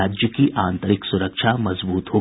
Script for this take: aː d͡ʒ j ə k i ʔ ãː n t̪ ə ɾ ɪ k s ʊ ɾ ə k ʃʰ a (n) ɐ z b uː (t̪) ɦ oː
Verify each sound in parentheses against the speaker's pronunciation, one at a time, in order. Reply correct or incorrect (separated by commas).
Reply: incorrect, correct